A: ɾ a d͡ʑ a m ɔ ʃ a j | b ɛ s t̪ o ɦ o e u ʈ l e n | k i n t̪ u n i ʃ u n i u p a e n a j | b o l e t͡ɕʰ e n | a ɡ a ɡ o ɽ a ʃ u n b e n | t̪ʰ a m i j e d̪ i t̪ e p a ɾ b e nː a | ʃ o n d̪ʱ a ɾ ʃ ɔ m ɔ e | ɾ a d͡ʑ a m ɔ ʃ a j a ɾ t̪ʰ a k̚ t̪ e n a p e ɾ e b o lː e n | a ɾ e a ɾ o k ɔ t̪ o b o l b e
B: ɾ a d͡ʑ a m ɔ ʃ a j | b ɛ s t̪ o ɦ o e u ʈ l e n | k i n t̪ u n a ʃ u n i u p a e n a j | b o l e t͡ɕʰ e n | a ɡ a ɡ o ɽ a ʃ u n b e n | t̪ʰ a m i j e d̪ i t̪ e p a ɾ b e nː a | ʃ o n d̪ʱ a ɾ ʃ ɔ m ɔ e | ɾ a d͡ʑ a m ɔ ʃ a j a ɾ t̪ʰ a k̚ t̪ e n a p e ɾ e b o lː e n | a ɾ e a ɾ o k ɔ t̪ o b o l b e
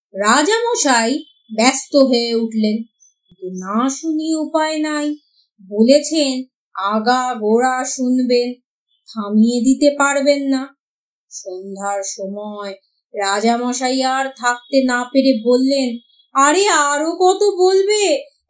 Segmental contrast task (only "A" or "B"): B